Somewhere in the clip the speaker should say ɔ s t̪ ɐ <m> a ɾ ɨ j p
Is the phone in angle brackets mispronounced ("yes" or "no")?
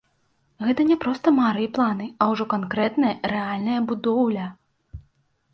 no